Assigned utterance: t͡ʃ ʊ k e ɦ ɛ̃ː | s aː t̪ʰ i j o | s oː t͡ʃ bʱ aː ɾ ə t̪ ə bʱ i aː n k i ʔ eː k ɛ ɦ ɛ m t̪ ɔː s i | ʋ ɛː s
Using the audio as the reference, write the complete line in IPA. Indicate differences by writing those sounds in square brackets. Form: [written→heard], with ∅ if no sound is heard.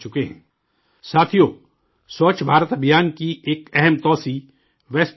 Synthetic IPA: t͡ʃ ʊ k e ɦ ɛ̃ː | s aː t̪ʰ i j o | s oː t͡ʃ bʱ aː ɾ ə t̪ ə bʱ [i→j] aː n k i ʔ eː k ɛ ɦ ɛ m t̪ ɔː s i | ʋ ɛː s